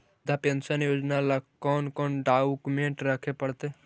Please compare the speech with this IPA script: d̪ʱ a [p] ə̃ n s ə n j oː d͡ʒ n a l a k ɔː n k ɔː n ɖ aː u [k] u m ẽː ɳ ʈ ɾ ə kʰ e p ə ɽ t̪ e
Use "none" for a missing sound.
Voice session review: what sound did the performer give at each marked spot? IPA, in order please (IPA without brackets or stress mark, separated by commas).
p, k